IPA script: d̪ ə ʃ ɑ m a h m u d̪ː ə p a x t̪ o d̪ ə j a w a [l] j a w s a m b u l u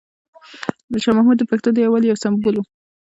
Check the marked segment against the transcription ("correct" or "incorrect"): correct